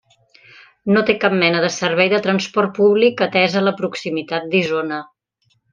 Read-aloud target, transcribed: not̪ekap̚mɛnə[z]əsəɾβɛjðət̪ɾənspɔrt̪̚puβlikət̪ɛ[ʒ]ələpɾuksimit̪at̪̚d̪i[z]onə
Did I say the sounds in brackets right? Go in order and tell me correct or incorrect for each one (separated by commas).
incorrect, incorrect, correct